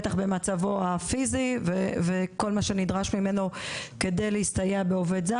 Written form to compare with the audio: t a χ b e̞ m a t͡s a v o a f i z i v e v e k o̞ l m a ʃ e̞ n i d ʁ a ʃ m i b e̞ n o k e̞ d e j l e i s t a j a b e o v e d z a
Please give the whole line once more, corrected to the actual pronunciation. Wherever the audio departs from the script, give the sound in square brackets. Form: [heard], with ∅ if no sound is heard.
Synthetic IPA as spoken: t a χ b e̞ m a t͡s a v o a f i z i v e v e k o̞ l m a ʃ e̞ n i d ʁ a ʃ m i [m] e̞ n o k e̞ d e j l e i s t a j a b e o v e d z a